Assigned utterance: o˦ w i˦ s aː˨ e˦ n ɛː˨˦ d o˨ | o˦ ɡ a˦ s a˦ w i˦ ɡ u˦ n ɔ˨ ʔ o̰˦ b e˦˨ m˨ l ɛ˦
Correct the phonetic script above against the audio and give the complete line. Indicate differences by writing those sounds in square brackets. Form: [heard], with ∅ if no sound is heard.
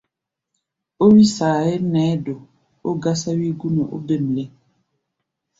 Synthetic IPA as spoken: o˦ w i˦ s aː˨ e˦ n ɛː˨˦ d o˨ | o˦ ɡ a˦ s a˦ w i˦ ɡ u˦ n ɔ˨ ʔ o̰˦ b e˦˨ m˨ l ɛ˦